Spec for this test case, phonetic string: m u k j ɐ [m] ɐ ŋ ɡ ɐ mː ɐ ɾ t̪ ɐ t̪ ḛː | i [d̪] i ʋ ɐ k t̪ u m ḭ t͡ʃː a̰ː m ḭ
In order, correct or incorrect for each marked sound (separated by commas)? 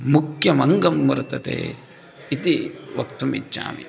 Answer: correct, incorrect